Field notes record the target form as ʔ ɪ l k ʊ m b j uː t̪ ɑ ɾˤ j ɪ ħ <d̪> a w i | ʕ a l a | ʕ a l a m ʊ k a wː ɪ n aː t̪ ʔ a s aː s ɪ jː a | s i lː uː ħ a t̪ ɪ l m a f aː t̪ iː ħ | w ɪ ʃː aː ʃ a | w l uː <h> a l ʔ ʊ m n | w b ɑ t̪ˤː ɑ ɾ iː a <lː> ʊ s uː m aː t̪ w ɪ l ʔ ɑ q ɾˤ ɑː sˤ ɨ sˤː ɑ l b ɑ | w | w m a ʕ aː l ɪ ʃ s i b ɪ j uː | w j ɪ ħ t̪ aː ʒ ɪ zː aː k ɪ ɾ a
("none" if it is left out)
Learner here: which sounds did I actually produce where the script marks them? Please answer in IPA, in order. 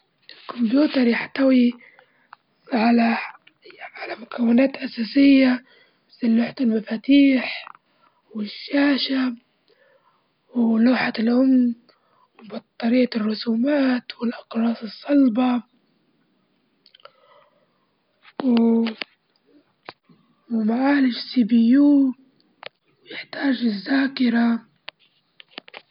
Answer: t̪, ħ, rː

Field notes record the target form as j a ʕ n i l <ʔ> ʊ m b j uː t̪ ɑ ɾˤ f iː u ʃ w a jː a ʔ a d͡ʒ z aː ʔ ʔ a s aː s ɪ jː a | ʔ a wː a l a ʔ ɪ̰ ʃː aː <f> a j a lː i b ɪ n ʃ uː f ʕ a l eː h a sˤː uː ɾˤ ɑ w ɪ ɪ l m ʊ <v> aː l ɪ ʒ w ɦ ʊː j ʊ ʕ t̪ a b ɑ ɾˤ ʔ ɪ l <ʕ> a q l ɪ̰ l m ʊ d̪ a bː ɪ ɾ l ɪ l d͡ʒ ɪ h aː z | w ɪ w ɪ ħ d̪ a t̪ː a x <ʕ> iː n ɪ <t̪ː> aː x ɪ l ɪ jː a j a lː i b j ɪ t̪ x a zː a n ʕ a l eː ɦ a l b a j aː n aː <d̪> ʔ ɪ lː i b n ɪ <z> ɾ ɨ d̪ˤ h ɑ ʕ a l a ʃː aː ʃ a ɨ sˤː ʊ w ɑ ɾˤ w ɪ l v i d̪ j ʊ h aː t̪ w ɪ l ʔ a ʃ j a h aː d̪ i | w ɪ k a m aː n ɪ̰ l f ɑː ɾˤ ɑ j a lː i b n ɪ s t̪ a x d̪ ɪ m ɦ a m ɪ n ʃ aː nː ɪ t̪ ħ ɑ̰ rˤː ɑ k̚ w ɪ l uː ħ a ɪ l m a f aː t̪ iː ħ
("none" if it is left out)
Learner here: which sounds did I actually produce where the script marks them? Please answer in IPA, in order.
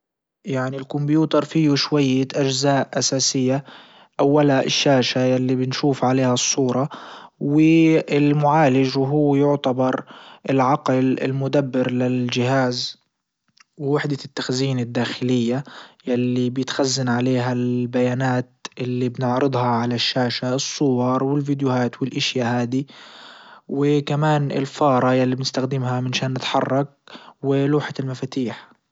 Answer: k, ʃ, ʕ, ʕ, z, d̪ː, t̪, ʕ

